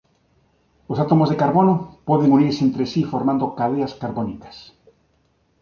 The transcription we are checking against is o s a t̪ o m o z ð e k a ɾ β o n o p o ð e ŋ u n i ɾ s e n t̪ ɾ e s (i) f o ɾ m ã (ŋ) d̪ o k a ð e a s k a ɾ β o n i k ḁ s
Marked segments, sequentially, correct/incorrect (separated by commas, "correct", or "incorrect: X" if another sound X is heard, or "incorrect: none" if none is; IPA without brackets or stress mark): correct, incorrect: n